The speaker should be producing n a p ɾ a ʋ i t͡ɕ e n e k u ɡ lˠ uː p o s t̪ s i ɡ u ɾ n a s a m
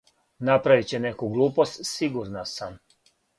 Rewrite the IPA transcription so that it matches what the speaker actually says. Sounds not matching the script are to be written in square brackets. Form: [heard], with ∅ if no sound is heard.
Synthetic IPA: n a p ɾ a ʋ i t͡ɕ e n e k u ɡ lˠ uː p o s t̪ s i ɡ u ɾ n a s a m